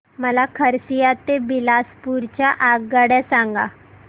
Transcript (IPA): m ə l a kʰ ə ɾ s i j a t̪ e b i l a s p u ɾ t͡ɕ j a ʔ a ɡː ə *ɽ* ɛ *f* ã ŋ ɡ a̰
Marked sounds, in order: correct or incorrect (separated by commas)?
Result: correct, incorrect